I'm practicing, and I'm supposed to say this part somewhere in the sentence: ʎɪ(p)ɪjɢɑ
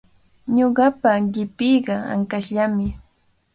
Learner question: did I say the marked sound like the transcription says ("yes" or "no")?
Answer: yes